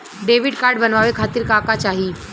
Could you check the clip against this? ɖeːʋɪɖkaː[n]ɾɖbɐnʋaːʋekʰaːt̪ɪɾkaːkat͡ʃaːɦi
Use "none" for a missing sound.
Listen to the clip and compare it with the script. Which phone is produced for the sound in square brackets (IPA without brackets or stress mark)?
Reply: none